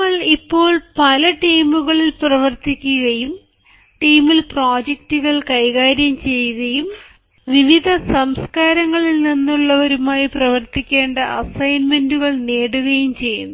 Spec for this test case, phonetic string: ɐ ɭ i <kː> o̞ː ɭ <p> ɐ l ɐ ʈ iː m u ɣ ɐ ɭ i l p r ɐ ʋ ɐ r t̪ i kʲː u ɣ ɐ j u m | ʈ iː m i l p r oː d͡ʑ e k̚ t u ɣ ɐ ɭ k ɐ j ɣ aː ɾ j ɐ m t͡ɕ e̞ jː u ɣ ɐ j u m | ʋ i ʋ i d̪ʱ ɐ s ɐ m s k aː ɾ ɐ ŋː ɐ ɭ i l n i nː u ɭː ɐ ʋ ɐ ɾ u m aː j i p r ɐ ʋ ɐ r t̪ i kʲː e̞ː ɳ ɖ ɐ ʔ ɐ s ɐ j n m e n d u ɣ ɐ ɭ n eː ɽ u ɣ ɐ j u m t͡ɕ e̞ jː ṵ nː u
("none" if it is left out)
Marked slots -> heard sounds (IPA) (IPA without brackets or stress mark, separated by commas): pː, p